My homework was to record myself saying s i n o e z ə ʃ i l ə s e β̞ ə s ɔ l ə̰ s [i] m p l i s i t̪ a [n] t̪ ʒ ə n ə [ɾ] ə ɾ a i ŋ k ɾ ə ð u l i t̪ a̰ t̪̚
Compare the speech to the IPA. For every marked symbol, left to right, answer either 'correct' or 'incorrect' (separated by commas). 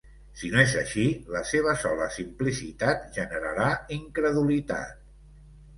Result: correct, incorrect, correct